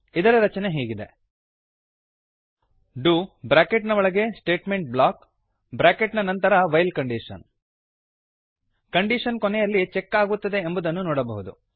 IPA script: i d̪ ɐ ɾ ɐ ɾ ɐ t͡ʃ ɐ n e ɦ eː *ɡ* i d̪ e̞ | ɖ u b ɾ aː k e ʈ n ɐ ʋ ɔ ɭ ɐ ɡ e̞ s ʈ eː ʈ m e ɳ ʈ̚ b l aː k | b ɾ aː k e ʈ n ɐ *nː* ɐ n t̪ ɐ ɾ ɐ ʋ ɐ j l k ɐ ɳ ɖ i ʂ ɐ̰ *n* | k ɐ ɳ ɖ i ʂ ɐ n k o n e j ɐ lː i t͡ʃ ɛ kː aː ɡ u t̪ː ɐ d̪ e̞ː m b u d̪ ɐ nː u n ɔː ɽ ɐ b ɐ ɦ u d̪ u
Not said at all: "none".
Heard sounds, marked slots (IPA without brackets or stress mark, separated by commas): ɡ, n, n